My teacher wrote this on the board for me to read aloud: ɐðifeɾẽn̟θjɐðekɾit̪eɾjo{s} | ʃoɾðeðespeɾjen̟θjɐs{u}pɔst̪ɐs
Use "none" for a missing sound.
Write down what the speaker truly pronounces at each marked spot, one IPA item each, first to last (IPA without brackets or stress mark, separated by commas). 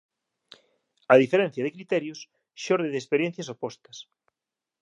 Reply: s, o